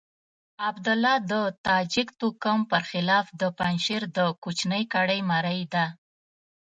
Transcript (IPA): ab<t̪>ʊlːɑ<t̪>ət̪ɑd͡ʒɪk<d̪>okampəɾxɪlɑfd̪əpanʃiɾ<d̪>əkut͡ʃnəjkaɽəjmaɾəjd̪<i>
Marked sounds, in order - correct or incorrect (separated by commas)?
incorrect, incorrect, incorrect, correct, incorrect